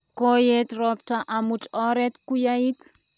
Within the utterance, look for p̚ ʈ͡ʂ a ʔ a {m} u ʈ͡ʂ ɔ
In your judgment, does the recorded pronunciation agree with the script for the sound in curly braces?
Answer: yes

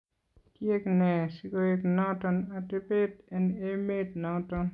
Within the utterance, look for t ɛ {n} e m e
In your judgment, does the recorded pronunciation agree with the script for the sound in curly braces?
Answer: yes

